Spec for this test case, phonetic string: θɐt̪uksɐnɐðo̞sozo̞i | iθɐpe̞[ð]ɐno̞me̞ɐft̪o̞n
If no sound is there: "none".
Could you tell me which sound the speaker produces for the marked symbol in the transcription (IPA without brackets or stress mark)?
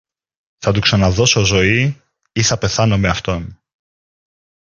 θ